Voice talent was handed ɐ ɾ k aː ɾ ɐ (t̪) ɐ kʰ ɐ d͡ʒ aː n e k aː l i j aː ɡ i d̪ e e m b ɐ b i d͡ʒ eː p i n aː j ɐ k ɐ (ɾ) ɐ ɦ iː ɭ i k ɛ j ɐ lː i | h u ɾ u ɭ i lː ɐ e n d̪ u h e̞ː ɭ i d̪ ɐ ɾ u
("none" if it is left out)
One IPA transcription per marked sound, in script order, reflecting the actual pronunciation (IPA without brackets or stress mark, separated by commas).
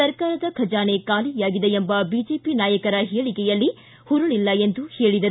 d̪, ɾ